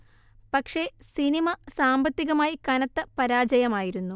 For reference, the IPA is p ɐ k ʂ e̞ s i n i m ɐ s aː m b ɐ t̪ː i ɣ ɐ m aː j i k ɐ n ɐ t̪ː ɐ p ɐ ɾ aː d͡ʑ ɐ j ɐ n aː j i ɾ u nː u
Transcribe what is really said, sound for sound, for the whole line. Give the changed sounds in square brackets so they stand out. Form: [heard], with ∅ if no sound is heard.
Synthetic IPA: p ɐ k ʂ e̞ s i n i m ɐ s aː m b ɐ t̪ː i ɣ ɐ m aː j i k ɐ n ɐ t̪ː ɐ p ɐ ɾ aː d͡ʑ ɐ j ɐ [m] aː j i ɾ u nː u